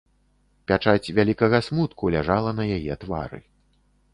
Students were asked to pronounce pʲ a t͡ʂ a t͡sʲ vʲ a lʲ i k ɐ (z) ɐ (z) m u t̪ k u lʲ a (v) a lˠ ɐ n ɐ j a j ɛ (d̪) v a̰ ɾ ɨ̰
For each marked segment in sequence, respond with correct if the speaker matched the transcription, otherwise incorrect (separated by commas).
incorrect, incorrect, incorrect, incorrect